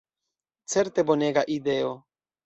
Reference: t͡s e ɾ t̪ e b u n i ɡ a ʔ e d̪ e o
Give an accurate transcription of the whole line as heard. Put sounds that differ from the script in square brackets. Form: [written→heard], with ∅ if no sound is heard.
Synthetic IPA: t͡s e ɾ t̪ e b [u→o] n [i→e] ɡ a ʔ [e→i] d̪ e o